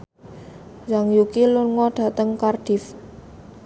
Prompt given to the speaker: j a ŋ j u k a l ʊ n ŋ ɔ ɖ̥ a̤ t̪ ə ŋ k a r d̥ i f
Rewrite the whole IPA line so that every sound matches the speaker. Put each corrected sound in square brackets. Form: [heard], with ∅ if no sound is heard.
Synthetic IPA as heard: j a ŋ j u k [i] l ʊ n ŋ ɔ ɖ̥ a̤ t̪ ə ŋ k a r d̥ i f

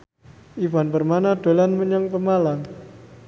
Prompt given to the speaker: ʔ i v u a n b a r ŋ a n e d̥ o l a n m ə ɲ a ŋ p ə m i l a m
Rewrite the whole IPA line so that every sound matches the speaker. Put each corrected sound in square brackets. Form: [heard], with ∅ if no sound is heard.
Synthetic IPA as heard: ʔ i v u a n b [ə] r [m] a n [a] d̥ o l a n m ə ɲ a ŋ p ə m [a] l a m

